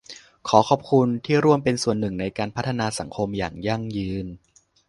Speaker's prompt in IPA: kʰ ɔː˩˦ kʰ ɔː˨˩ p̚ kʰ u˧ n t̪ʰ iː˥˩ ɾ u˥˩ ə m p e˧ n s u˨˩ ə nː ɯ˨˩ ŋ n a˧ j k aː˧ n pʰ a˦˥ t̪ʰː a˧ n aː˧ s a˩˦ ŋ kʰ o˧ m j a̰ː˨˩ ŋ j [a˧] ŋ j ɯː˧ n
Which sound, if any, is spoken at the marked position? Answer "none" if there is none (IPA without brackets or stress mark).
a˥˩